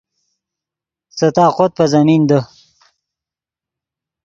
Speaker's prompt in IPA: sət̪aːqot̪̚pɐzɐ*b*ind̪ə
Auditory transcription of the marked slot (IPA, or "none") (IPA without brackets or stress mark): m